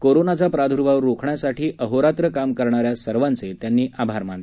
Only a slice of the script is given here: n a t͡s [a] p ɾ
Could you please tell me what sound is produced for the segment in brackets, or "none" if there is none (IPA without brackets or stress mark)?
a